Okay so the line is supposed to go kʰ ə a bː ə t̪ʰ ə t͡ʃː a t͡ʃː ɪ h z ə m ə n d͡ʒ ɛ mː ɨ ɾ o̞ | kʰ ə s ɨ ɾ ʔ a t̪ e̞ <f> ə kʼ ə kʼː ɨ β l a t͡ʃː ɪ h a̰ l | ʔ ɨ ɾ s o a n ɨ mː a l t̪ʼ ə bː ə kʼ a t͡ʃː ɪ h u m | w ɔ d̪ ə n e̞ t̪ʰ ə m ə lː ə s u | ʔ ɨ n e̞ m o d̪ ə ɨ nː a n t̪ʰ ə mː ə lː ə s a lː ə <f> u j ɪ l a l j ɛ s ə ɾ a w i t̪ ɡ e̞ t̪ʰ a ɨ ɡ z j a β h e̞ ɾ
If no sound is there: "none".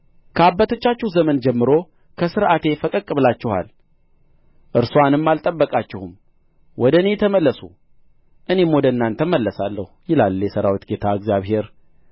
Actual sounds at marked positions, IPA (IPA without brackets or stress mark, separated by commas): f, h